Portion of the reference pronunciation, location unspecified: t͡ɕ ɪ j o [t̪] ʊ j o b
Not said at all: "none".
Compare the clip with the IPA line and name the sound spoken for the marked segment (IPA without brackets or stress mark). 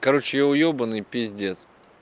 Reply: none